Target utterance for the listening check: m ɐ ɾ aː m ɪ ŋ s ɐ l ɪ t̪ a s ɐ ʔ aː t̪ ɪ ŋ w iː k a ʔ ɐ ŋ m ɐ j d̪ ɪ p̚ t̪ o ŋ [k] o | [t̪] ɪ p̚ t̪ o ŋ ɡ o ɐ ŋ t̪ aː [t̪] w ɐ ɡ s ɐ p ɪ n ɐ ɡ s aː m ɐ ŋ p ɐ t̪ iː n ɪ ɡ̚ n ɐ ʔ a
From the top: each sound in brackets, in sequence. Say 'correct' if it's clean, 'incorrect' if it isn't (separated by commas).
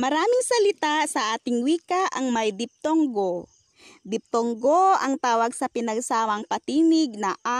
incorrect, incorrect, incorrect